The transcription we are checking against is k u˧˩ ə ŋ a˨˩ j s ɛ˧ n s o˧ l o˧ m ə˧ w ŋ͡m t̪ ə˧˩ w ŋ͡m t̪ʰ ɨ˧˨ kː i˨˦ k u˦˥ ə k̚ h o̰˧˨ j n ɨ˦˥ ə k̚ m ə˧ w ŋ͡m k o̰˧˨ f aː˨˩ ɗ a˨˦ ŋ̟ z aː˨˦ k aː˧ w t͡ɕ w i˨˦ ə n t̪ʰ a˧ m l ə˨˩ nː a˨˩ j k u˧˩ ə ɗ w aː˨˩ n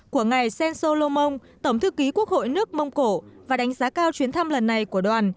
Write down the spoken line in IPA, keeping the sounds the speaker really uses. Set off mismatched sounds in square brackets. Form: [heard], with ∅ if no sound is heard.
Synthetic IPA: k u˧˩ ə ŋ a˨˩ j s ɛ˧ n s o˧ l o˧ m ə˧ w ŋ͡m t̪ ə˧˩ w ŋ͡m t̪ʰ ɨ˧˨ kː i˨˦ k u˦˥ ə k̚ h o̰˧˨ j n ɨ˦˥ ə k̚ m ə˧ w ŋ͡m k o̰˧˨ [v] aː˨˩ ɗ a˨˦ ŋ̟ z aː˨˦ k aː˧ w t͡ɕ w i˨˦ ə n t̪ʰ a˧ m l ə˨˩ nː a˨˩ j k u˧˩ ə ɗ w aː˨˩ n